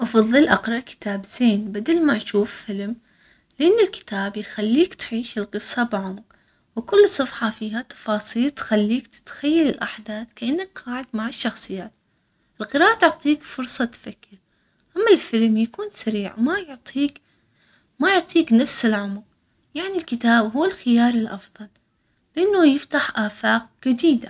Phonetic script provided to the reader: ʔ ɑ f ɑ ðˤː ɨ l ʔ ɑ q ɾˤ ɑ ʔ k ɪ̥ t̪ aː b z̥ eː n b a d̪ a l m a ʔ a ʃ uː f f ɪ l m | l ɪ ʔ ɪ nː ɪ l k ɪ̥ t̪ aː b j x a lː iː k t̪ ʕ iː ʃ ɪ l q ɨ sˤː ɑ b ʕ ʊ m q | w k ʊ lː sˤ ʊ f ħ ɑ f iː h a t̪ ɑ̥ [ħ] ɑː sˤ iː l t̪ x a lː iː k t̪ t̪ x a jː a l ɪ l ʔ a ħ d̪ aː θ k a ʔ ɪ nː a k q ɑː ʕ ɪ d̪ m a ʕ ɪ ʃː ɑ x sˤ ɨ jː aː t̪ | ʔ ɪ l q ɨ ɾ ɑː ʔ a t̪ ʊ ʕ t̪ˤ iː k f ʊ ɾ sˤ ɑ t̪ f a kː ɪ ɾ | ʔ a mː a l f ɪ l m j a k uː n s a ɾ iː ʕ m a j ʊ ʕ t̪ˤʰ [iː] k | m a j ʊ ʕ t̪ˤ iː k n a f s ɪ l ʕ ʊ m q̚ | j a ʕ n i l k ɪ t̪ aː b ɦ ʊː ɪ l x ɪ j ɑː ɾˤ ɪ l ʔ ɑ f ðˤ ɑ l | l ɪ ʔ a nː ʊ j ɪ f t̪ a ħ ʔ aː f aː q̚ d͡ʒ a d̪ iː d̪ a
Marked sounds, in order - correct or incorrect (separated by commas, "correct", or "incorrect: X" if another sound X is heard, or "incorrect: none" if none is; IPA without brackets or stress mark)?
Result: incorrect: f, correct